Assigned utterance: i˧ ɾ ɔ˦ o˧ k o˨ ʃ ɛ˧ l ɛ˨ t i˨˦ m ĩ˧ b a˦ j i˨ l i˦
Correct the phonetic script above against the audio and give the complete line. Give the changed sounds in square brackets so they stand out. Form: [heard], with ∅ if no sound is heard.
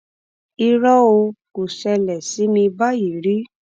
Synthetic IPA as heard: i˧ ɾ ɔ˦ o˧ k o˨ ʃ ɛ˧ l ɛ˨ [s] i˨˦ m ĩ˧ b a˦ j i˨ [ɾ] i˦